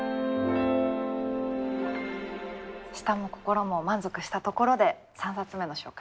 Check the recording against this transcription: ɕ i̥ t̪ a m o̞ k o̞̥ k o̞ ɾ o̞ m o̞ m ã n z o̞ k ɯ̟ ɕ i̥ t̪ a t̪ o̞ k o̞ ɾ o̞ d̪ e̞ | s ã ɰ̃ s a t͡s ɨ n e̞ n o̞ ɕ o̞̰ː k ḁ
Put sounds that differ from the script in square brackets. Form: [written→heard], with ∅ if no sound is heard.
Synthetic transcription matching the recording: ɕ i̥ t̪ a m o̞ k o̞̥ k o̞ ɾ o̞ m o̞ m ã n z o̞ k ɯ̟ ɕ i̥ t̪ a t̪ o̞ k o̞ ɾ o̞ d̪ e̞ | s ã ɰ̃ s a t͡s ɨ [n→m] e̞ n o̞ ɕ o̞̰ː k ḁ